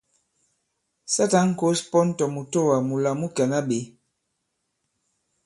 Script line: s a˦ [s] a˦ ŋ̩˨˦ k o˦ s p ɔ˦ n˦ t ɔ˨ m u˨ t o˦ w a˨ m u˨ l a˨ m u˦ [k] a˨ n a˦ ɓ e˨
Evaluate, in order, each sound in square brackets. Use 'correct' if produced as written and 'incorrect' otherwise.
incorrect: t, correct

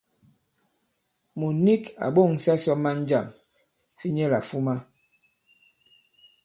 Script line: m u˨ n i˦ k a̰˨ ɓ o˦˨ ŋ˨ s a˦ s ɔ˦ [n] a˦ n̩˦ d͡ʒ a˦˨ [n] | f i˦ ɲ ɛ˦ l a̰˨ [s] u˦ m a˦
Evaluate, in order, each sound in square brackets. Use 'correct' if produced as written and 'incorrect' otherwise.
incorrect: m, incorrect: m, incorrect: f

